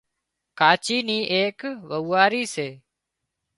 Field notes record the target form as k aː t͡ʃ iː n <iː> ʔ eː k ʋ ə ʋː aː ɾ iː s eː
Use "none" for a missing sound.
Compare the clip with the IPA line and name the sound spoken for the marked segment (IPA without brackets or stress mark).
iː